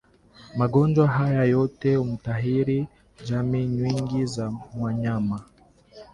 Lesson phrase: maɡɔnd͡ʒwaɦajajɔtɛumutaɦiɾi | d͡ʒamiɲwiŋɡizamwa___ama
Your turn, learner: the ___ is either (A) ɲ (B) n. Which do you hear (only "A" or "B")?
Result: A